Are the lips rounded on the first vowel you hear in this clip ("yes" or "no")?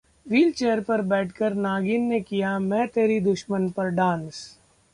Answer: no